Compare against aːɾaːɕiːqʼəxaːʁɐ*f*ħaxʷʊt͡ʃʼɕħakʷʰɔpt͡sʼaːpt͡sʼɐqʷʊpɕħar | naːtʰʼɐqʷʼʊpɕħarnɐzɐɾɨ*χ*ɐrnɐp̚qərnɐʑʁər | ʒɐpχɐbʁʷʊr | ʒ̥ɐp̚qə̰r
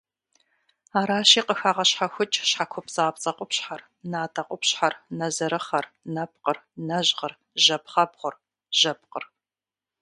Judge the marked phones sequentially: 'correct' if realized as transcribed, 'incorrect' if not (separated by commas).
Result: incorrect, correct